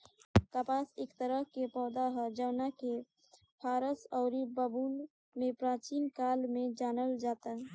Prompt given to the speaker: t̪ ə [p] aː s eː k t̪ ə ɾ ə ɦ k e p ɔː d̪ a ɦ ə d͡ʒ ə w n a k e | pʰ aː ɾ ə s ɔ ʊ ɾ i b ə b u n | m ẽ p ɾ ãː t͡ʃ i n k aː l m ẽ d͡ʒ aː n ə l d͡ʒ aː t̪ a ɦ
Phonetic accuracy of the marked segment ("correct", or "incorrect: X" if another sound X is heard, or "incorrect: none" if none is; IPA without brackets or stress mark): correct